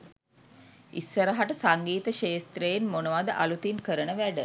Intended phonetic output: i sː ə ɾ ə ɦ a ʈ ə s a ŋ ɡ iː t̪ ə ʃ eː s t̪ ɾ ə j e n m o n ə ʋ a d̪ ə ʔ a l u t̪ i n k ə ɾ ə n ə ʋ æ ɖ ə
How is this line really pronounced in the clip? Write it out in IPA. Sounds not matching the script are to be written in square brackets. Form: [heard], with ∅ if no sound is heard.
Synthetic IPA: i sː ə ɾ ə ɦ a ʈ ə s a ŋ ɡ iː t̪ ə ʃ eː s t̪ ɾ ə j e n m o n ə ʋ a d̪ ə ʔ a l u t̪ i n k ə ɾ ə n ə ʋ æ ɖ ə